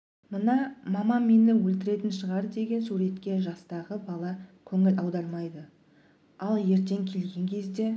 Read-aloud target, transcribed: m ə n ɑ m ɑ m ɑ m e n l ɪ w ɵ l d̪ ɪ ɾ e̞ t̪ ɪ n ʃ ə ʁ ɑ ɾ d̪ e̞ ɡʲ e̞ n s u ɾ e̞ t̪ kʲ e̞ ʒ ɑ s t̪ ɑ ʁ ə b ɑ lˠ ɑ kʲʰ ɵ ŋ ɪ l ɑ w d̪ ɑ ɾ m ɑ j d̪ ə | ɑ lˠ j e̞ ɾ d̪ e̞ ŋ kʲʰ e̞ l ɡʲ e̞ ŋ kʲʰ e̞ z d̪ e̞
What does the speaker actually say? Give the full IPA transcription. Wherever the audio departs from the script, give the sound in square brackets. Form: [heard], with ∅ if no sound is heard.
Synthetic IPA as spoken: m ə n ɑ m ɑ m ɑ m e n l ɪ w ɵ l [t̪] ɪ ɾ e̞ t̪ ɪ n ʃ ə ʁ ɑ ɾ d̪ e̞ ɡʲ e̞ n s u ɾ e̞ t̪ kʲ e̞ ʒ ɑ s t̪ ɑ ʁ ə b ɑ lˠ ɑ kʲʰ ɵ ŋ ɪ l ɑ w d̪ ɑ ɾ m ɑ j d̪ ə | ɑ lˠ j e̞ ɾ [t̪] e̞ ŋ kʲʰ e̞ l ɡʲ e̞ ŋ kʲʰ e̞ z d̪ e̞